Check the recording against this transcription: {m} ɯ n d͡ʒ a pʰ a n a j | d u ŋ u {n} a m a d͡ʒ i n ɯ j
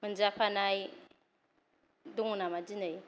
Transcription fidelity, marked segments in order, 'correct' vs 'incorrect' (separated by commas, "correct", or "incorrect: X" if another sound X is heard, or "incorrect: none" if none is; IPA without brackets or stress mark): correct, correct